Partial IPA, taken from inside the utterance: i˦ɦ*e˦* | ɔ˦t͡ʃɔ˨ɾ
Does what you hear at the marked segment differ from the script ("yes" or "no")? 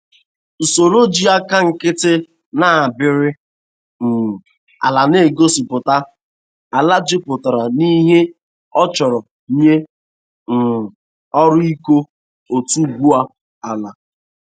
no